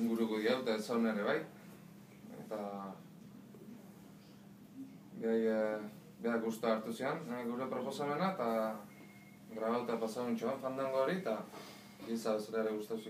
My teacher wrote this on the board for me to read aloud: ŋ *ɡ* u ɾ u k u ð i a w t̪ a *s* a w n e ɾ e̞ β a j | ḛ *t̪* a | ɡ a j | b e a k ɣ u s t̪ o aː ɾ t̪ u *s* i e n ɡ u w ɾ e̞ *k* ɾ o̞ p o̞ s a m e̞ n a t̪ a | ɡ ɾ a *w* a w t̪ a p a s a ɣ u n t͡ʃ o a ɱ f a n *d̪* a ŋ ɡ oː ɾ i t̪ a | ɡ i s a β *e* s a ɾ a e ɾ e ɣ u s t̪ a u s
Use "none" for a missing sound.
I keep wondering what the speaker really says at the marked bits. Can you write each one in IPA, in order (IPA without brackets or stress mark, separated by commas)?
ɡ, s, t̪, s, p, β, d̪, e